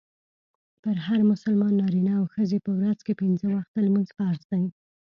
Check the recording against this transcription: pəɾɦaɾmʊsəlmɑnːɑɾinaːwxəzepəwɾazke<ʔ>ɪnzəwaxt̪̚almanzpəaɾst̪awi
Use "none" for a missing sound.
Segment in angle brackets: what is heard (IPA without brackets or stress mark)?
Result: p